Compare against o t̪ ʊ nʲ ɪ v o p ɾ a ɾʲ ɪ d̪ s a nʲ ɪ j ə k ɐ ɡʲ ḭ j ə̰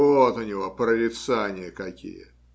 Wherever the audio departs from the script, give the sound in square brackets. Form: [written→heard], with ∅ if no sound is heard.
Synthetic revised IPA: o t̪ ʊ nʲ ɪ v o p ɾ [a→ə] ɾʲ ɪ [d̪→t̪] s a nʲ ɪ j ə k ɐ [ɡʲ→kʲ] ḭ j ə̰

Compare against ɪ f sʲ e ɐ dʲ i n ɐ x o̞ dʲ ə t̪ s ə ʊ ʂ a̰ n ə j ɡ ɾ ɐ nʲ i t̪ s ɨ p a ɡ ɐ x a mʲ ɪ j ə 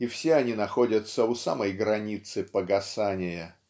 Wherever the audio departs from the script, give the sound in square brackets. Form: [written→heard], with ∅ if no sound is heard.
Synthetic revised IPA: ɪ f sʲ e ɐ [dʲ→nʲ] i n ɐ x o̞ dʲ ə t̪ s ə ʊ [ʂ→s] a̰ [n→m] ə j ɡ ɾ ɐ nʲ i t̪ s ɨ p [a→ə] ɡ ɐ [x→s] a [mʲ→nʲ] ɪ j ə

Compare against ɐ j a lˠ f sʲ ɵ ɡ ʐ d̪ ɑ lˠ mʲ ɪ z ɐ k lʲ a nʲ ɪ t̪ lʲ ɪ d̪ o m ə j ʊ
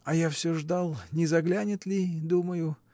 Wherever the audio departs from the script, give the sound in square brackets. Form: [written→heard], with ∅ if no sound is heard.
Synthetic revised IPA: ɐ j a [lˠ→∅] f sʲ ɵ [ɡ→∅] ʐ d̪ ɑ lˠ [mʲ→nʲ] ɪ z ɐ [k→ɡ] lʲ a nʲ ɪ t̪ lʲ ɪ d̪ [o→u] m ə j ʊ

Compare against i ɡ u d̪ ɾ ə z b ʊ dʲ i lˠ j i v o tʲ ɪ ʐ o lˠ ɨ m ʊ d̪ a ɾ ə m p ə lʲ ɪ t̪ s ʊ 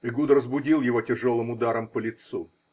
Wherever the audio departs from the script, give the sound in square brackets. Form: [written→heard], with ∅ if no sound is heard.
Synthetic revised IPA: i ɡ u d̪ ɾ ə z b ʊ dʲ i lˠ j [i→ɪ] v o tʲ ɪ ʐ o lˠ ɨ m ʊ d̪ a ɾ ə m p ə lʲ ɪ t̪ s [ʊ→u]

